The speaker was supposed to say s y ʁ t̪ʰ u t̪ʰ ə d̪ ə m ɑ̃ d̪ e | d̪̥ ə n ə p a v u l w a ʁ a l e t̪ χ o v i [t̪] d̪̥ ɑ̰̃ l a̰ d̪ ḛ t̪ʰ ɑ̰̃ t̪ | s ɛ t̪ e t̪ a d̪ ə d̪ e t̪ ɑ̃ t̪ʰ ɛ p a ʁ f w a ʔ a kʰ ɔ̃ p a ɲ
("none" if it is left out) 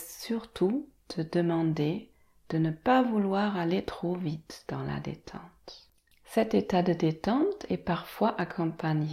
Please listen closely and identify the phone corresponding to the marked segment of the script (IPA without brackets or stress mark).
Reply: t̪